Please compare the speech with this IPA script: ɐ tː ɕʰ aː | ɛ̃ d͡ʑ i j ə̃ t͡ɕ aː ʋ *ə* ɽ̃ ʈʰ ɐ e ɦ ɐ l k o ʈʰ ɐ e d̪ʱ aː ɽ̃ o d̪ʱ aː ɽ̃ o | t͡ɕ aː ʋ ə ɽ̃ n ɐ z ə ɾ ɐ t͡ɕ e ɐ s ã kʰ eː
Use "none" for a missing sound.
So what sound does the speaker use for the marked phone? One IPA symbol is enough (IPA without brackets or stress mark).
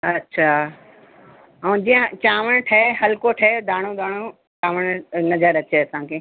ə